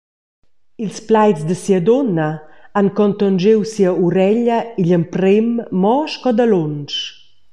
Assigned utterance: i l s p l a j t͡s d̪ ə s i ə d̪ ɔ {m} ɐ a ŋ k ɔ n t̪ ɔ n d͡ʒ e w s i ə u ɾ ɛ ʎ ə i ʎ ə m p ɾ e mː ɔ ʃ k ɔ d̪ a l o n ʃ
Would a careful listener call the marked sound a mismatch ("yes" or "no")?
yes